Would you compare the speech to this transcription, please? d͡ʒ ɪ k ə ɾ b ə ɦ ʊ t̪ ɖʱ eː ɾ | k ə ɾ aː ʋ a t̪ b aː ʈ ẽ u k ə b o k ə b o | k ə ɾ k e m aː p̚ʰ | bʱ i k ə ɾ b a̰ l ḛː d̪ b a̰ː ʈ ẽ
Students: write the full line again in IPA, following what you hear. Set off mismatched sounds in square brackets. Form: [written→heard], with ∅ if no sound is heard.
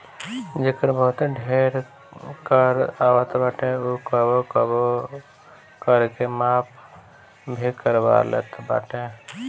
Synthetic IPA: d͡ʒ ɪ k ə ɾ b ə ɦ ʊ t̪ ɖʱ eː ɾ | k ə ɾ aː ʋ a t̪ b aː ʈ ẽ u k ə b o k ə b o | k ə ɾ k e m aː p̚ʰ | bʱ i k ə ɾ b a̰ l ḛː [d̪→t̪] b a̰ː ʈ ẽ